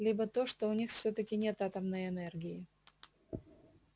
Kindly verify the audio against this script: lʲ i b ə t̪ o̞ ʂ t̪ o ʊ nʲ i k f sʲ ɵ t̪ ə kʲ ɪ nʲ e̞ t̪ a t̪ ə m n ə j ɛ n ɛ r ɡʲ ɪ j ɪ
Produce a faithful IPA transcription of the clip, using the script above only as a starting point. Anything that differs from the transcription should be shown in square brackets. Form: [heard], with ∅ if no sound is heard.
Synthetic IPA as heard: lʲ i b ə t̪ o̞ ʂ t̪ o ʊ nʲ i [x] f sʲ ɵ t̪ ə kʲ ɪ nʲ e̞ t̪ a t̪ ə m n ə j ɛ n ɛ r ɡʲ ɪ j ɪ